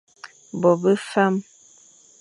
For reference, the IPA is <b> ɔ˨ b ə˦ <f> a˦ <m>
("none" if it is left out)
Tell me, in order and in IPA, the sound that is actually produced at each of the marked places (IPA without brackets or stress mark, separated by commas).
b, f, m